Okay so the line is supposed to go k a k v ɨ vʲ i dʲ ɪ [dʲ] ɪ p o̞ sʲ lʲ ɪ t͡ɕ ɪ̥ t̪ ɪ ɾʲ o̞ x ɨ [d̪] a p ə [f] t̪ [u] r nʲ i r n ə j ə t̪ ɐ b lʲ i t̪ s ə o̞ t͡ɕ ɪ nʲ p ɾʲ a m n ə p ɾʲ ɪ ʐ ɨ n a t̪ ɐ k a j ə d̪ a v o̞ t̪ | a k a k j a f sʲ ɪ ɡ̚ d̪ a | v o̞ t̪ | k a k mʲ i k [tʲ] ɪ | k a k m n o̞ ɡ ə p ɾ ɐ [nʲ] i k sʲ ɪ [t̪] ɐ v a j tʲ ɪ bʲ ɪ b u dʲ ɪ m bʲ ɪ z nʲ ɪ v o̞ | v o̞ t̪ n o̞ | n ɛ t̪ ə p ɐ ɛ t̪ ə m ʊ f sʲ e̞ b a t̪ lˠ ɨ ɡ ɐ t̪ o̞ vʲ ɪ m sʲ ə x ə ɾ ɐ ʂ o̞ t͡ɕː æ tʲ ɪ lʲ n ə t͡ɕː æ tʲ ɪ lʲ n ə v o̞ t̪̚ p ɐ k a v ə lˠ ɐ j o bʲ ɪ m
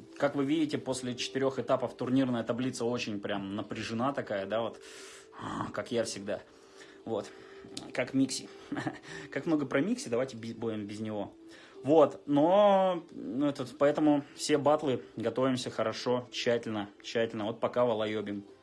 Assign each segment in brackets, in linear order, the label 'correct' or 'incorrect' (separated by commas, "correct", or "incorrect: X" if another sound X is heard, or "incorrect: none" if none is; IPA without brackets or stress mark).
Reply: incorrect: tʲ, incorrect: t̪, correct, incorrect: ʊ, incorrect: sʲ, incorrect: mʲ, incorrect: d̪